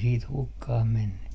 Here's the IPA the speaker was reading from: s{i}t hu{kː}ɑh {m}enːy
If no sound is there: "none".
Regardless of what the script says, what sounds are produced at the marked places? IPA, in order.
iː, kː, m

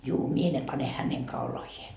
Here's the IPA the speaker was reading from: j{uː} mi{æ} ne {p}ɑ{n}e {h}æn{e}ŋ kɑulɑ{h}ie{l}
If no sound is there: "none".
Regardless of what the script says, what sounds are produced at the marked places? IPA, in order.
uː, e, p, n, h, e, h, none

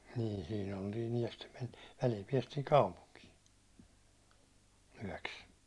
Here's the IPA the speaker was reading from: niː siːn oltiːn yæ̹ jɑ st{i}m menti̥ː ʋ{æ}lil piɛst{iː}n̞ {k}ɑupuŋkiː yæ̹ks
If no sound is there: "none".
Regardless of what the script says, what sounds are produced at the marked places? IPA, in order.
e, æ, iː, k

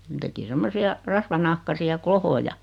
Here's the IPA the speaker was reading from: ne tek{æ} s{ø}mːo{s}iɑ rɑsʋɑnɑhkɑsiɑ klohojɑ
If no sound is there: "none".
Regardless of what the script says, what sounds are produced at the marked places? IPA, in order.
i, e, s

